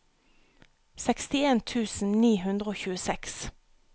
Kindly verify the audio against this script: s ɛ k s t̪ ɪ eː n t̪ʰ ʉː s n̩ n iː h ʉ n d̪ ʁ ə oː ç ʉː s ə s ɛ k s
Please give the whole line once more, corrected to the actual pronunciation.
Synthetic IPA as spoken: s ɛ k s t̪ ɪ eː n t̪ʰ ʉː s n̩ n iː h ʉ n d̪ ʁ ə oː ç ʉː ə s ɛ k s